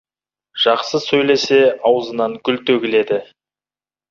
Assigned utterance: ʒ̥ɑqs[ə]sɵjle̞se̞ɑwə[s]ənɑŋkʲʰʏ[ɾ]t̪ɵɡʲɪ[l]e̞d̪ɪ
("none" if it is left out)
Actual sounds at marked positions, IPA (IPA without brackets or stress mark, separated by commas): ə, z, l, l